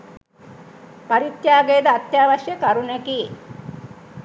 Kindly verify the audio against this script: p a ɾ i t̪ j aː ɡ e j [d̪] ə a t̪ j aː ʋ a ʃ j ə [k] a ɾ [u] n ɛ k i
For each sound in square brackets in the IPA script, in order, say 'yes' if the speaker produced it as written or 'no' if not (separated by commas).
yes, yes, yes